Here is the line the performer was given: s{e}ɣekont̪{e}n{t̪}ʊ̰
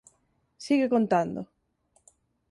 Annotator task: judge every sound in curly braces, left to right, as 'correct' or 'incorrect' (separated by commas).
incorrect, incorrect, incorrect